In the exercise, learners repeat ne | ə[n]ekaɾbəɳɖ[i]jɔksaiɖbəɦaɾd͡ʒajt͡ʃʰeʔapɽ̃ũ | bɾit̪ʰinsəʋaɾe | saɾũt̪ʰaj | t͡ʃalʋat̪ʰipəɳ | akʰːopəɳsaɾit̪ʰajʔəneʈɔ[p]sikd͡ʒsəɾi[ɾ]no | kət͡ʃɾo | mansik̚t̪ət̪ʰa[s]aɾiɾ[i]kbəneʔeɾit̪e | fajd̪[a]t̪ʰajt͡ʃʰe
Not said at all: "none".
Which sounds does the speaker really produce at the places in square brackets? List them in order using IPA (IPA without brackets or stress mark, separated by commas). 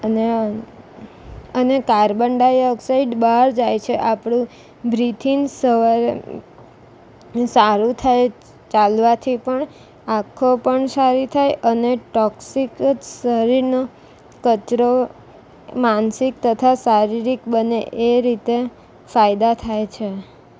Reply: n, a, k, ɾ, s, i, a